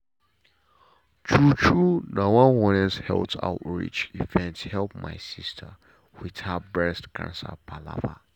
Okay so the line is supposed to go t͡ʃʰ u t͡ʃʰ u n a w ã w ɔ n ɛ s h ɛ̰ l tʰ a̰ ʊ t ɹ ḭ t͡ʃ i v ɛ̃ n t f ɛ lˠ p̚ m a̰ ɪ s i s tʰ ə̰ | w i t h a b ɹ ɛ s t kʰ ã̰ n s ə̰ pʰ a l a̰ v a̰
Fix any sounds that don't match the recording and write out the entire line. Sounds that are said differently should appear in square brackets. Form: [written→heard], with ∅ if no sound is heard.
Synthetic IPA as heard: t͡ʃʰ u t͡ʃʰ u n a w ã w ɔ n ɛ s h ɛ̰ l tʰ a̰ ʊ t ɹ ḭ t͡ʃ i v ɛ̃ n t [f→h] ɛ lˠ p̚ m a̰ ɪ s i s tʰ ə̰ | w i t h a b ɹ ɛ s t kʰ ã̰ n s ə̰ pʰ a l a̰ v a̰